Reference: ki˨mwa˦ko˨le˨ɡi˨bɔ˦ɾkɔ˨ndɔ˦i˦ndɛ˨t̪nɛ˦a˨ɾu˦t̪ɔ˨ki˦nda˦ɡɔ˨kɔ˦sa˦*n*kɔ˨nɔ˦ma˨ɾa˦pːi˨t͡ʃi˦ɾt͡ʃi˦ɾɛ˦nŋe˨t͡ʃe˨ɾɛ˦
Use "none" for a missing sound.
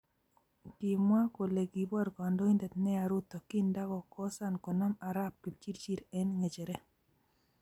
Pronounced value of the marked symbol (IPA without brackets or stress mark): n